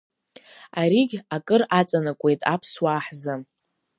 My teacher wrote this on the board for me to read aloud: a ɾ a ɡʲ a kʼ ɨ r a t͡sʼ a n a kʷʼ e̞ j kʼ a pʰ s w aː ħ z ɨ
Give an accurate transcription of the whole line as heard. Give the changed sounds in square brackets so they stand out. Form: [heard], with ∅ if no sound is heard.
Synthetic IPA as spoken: a ɾ [i] ɡʲ a kʼ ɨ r a t͡sʼ a n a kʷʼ e̞ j [tʼ] a pʰ s w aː ħ z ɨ